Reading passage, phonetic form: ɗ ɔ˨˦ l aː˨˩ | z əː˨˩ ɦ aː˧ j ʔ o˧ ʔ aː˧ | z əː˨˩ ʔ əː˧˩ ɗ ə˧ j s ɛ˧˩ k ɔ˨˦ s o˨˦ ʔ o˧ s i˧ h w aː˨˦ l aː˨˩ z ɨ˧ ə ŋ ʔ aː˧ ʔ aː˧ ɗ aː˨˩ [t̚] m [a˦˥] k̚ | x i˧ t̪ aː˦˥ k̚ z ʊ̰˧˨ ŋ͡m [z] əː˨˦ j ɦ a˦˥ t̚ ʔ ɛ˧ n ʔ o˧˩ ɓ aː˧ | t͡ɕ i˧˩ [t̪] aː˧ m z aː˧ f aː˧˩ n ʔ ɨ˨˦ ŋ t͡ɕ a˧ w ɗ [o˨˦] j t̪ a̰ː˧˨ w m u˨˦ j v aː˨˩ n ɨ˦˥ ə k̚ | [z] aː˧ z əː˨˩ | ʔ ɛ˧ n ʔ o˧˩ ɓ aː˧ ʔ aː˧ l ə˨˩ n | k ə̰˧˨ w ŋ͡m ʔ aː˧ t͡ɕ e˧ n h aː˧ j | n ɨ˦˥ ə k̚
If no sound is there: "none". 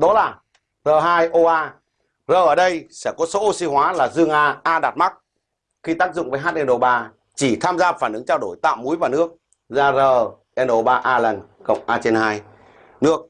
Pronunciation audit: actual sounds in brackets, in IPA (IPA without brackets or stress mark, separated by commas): t̚, a˦˥, v, t̪ʰ, o˧˩, z